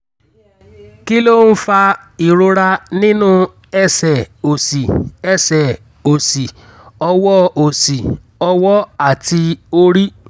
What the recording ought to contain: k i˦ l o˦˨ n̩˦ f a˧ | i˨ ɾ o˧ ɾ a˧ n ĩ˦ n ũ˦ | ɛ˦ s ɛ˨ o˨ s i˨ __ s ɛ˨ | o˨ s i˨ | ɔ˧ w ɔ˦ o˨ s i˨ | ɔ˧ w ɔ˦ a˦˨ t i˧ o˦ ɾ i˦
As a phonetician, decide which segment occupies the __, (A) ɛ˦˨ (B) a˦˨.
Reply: A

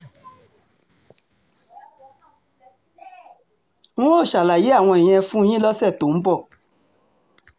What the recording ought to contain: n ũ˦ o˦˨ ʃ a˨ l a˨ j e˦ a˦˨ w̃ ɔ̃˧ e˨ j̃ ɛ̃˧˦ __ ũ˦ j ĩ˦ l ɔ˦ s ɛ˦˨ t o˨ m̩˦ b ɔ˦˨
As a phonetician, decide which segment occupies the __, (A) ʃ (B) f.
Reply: B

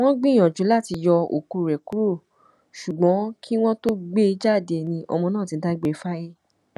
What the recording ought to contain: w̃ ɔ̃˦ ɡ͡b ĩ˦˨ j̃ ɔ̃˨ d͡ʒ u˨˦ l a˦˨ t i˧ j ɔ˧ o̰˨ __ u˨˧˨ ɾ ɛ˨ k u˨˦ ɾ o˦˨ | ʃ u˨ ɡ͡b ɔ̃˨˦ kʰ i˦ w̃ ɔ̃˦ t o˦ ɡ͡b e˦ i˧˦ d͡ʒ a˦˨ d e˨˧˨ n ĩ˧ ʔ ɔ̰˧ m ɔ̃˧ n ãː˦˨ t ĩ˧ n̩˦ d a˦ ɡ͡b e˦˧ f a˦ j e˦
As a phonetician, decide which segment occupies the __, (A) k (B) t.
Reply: A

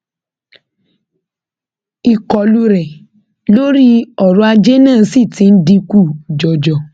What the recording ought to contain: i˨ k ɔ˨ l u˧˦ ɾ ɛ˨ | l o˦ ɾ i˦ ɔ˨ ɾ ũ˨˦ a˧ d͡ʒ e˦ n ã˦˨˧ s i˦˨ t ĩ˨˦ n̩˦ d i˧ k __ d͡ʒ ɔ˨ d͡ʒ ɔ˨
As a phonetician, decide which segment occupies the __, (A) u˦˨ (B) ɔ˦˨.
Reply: A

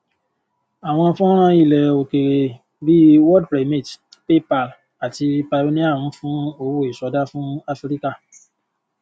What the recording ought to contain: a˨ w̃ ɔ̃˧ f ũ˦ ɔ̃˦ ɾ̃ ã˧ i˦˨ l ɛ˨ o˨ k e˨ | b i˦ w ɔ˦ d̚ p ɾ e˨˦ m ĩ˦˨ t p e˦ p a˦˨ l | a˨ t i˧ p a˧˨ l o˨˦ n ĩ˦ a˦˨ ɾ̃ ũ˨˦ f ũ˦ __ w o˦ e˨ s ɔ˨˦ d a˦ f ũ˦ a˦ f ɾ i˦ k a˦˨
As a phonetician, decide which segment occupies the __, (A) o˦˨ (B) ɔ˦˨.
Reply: A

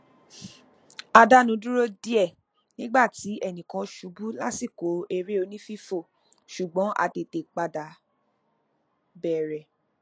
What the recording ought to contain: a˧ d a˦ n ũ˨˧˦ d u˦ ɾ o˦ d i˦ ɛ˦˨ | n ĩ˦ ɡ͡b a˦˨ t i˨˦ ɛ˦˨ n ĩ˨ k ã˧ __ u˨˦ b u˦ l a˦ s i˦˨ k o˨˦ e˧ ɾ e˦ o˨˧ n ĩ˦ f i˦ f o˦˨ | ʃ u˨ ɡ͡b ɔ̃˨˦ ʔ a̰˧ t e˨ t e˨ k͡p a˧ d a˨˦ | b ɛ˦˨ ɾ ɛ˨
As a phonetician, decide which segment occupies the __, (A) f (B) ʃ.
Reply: B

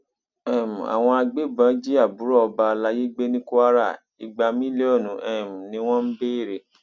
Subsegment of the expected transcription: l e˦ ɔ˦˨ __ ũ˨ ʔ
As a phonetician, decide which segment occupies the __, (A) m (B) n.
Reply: B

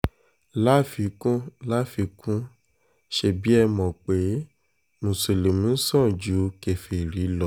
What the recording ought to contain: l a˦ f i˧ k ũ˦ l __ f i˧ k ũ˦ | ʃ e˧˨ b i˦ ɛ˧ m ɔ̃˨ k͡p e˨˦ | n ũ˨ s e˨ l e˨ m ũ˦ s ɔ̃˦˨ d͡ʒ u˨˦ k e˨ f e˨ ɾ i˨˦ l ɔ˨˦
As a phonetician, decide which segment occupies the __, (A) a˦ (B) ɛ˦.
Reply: A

